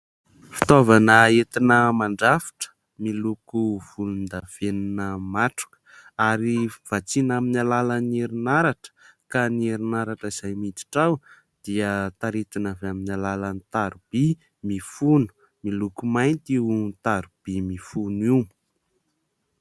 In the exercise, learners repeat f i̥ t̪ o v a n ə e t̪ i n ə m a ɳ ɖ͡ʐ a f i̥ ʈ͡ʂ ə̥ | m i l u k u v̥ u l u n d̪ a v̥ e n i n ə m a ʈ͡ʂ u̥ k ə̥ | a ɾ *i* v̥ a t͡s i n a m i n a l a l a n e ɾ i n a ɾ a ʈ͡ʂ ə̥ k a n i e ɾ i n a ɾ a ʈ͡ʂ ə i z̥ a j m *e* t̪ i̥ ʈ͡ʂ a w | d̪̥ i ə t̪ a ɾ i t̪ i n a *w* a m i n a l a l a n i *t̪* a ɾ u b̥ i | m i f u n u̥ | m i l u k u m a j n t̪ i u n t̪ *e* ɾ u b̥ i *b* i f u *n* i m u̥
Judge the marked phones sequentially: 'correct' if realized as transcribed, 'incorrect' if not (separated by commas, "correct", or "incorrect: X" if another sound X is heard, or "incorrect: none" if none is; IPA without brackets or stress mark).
correct, incorrect: i, incorrect: v, correct, incorrect: a, incorrect: m, correct